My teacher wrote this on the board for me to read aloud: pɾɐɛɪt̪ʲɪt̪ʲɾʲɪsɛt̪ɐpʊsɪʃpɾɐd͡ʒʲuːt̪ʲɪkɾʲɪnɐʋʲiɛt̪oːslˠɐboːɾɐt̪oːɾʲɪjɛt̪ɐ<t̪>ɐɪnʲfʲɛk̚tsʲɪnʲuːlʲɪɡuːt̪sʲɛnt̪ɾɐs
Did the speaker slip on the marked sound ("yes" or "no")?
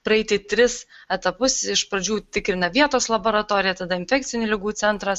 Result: yes